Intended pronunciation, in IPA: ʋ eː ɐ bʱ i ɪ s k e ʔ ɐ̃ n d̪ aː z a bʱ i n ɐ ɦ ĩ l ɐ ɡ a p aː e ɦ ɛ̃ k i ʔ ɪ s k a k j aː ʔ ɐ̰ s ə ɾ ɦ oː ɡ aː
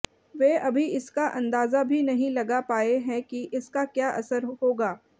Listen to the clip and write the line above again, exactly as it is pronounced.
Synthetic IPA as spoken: ʋ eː ɐ bʱ i ɪ s k a ʔ ɐ̃ n d̪ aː z a bʱ i n ɐ ɦ ĩ l ɐ ɡ a p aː e ɦ ɛ̃ k i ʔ ɪ s k a k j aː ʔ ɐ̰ s ə ɾ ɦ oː ɡ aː